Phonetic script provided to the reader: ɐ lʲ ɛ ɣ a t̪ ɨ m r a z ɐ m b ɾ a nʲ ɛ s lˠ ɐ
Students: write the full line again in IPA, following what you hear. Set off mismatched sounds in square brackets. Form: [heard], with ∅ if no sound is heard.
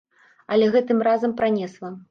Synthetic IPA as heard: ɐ lʲ ɛ ɣ [ɛ] t̪ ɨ m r a z ɐ m [p] ɾ a nʲ ɛ s lˠ ɐ